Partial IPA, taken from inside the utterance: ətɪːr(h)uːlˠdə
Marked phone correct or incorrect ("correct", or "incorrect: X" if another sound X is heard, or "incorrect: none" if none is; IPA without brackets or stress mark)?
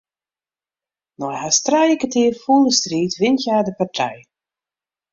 incorrect: f